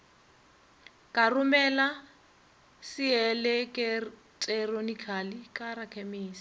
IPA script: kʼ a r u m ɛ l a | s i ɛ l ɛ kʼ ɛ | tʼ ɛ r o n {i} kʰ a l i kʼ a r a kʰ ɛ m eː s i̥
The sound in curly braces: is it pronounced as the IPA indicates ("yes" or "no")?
yes